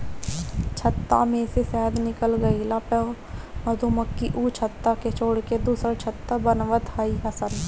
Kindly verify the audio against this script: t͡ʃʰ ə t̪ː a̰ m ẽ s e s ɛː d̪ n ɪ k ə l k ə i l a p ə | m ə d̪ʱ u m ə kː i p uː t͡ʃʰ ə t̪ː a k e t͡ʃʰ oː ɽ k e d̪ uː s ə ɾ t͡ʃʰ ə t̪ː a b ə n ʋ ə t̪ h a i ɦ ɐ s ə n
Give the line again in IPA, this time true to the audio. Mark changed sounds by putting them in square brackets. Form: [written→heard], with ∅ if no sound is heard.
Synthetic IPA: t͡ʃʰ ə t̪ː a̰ m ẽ s e s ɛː d̪ n ɪ k ə l [k→ɡ] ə i l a p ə | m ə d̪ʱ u m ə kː i [p→ʔ] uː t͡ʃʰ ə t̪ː a k e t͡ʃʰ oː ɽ k e d̪ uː s ə ɾ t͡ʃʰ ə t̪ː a b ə n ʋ ə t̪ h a i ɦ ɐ s ə n